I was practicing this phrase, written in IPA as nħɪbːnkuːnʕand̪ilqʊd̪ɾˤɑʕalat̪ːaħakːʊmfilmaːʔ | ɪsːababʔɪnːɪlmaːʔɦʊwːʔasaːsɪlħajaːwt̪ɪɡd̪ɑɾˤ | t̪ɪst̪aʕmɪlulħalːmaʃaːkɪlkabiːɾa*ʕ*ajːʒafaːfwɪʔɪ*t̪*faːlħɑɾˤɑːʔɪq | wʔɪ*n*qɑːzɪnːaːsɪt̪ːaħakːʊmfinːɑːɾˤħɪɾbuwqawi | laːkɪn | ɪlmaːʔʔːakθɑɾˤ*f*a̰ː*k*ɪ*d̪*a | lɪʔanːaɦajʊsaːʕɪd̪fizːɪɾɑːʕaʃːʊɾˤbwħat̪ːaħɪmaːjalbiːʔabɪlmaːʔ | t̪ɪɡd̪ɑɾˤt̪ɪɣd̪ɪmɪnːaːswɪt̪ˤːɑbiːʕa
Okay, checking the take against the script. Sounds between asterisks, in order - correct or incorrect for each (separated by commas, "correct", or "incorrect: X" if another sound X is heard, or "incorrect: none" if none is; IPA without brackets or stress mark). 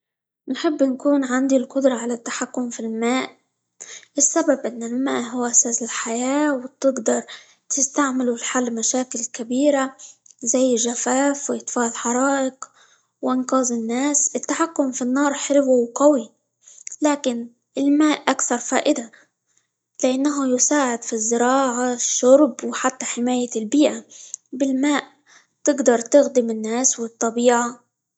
incorrect: z, correct, correct, correct, incorrect: ʔ, correct